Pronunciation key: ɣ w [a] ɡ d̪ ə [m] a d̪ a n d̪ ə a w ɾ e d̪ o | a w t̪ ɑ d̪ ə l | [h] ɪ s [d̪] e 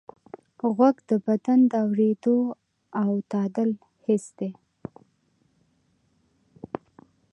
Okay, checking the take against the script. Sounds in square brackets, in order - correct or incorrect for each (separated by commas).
correct, incorrect, correct, correct